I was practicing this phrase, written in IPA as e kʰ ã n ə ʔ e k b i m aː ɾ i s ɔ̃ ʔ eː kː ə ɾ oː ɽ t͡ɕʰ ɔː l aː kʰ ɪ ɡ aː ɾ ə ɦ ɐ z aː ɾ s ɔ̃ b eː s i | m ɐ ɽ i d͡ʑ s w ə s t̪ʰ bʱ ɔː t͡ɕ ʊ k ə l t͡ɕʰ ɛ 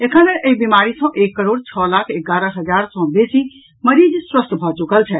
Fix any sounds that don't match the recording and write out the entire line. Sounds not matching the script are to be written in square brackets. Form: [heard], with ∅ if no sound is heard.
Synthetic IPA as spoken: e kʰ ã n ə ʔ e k b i m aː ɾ i s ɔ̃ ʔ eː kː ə ɾ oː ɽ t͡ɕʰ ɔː l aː kʰ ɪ ɡ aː ɾ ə ɦ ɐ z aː ɾ s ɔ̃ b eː s i | m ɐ [ɾ] i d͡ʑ s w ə s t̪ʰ bʱ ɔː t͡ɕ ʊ k ə l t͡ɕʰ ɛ